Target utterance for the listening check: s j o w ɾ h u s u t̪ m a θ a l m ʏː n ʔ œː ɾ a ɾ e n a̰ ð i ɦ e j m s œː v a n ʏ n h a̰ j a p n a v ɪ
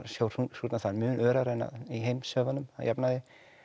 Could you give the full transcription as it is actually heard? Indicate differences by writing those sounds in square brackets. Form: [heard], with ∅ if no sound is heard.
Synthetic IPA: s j o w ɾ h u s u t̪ [n] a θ a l m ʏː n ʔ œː ɾ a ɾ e n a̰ ð i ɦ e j m s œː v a n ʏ [m] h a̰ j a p n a [ð] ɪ